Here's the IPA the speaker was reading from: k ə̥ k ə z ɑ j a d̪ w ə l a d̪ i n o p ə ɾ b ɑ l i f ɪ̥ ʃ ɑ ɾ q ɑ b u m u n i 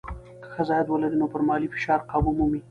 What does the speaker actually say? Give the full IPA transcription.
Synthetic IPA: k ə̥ x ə z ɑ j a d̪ w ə l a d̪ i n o p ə ɾ m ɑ l i f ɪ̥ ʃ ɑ ɾ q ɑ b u m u m i

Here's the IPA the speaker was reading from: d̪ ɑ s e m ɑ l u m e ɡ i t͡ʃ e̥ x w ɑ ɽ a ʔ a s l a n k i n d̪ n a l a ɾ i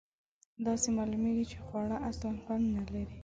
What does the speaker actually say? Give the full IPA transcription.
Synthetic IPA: d̪ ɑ s e m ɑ l u m e ɡ i t͡ʃ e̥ x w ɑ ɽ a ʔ a s l a n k a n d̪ n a l a ɾ i

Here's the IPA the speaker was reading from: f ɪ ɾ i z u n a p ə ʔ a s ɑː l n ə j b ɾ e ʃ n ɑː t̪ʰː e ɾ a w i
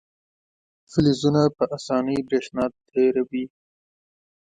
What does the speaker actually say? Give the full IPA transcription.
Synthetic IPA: f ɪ l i z u n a p ə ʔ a s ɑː n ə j b ɾ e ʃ n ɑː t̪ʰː e ɾ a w i

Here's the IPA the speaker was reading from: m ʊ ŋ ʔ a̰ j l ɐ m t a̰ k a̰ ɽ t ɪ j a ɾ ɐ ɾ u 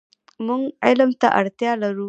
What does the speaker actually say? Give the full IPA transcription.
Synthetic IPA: m ʊ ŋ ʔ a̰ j l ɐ m t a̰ ʔ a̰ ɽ t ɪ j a l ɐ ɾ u

